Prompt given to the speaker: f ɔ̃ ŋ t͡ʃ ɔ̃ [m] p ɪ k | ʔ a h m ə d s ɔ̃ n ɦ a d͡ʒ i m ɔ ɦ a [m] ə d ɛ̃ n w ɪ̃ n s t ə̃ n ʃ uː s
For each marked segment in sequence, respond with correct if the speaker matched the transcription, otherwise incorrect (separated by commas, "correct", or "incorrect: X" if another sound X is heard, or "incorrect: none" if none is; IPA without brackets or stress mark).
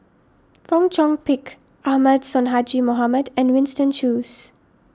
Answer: incorrect: ŋ, correct